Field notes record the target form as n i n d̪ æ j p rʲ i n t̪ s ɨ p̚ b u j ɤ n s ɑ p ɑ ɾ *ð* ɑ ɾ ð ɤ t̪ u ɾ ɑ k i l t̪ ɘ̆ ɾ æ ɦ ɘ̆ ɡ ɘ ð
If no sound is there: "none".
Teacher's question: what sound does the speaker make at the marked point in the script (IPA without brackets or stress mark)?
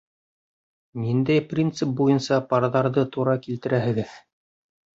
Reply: ð